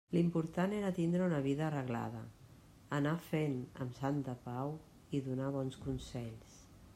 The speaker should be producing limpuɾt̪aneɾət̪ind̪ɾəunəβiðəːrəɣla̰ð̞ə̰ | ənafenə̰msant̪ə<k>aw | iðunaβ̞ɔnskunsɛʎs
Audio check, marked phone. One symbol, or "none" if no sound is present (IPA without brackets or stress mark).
p